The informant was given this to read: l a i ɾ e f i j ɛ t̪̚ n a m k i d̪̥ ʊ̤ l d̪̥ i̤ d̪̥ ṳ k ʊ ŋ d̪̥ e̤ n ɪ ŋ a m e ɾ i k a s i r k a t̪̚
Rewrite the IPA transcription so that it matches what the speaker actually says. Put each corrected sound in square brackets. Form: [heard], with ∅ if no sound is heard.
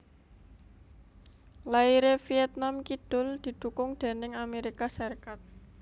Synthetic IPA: l a i ɾ e f i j ɛ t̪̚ n a m k i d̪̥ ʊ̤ l d̪̥ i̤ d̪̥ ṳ k ʊ ŋ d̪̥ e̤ n ɪ ŋ a m e ɾ i k a s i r k a t̪̚